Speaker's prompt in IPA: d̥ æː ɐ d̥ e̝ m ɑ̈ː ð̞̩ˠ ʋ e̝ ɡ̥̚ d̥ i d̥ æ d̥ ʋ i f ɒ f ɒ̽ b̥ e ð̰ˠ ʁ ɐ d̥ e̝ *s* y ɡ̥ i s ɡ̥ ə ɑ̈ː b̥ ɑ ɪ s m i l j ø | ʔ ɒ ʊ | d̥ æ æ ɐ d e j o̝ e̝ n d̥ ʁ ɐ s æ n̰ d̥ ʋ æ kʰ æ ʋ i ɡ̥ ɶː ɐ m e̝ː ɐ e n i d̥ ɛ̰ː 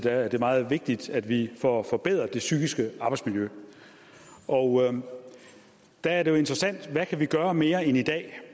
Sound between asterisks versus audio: correct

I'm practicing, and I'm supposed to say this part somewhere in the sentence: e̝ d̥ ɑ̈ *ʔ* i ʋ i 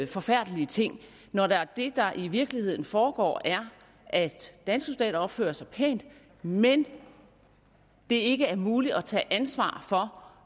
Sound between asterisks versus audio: correct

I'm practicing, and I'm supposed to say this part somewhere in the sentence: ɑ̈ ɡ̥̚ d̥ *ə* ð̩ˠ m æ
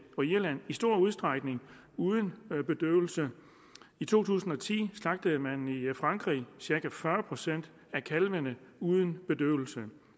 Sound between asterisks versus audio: correct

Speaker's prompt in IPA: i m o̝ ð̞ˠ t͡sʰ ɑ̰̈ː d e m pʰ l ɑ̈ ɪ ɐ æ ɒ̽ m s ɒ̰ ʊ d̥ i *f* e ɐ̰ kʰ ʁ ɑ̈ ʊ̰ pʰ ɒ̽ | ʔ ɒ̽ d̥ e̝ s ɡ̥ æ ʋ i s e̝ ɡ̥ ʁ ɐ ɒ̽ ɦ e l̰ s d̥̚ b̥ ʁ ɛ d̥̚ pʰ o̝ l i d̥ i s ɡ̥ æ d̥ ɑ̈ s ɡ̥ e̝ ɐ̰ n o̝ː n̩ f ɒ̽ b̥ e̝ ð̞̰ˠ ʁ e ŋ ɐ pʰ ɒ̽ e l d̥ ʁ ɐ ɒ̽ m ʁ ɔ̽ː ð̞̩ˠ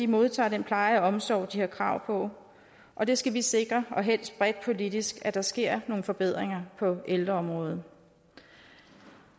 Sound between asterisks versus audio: incorrect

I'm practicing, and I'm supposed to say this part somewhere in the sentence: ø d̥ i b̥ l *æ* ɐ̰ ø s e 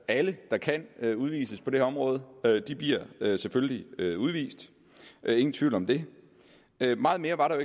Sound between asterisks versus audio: incorrect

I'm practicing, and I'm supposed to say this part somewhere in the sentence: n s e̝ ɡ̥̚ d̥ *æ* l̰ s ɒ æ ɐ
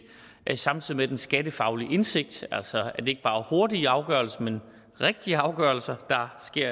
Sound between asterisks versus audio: correct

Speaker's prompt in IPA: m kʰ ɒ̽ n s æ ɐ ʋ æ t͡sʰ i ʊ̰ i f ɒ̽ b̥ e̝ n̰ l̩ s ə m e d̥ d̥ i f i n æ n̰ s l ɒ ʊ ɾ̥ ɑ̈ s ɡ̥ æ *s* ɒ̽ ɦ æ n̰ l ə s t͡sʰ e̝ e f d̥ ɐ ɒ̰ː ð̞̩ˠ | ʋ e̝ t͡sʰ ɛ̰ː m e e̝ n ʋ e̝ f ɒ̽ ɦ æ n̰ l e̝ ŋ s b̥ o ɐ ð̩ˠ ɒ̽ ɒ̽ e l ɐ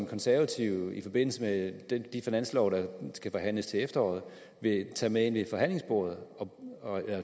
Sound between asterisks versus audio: incorrect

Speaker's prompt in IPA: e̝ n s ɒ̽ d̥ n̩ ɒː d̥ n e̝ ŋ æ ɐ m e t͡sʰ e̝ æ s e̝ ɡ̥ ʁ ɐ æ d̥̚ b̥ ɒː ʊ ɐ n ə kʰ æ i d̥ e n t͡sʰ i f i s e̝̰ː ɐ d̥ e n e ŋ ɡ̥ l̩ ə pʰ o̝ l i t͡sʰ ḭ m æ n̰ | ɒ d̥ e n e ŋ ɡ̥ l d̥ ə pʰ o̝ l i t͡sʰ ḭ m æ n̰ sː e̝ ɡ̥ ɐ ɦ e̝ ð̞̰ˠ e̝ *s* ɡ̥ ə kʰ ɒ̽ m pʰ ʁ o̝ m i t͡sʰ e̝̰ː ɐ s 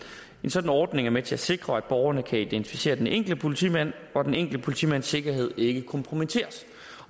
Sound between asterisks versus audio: incorrect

